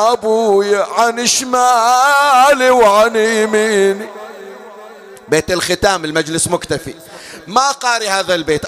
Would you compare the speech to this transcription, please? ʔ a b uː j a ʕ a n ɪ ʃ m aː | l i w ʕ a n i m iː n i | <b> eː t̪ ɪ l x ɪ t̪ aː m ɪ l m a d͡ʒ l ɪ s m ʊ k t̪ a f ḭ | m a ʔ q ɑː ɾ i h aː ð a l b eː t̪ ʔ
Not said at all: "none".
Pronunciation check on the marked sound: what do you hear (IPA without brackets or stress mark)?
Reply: b